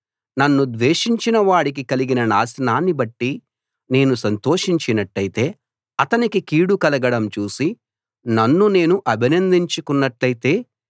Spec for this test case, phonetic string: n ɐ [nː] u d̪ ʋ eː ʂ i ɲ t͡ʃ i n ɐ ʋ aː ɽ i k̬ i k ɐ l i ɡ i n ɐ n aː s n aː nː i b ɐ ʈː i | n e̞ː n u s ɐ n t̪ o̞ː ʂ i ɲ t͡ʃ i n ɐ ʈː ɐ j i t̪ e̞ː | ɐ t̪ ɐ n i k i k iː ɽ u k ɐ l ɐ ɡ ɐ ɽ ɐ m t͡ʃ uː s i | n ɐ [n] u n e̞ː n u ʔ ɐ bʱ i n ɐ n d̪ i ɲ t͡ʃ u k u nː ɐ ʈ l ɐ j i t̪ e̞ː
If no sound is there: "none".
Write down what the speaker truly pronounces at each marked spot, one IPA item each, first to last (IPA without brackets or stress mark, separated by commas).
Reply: nː, nː